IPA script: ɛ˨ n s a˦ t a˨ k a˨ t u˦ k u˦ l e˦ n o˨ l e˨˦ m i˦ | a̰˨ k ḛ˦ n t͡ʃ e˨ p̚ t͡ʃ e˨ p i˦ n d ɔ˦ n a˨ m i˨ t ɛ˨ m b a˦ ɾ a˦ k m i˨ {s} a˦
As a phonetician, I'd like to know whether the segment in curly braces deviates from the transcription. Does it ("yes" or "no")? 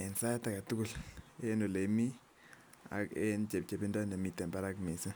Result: no